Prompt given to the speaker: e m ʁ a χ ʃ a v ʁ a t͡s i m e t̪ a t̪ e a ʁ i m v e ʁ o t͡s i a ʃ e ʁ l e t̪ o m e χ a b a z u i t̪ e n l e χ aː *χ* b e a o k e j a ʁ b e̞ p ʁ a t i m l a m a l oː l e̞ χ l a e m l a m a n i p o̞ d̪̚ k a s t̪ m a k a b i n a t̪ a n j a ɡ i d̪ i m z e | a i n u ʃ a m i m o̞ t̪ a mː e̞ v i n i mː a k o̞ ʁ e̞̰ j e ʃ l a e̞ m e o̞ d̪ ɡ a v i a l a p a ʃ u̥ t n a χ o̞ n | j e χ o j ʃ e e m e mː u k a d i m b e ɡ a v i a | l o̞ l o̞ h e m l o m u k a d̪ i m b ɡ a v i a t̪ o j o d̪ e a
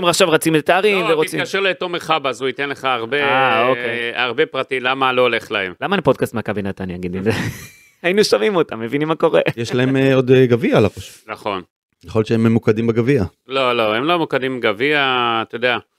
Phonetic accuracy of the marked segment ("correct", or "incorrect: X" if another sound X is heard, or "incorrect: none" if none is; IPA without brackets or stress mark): incorrect: ʁ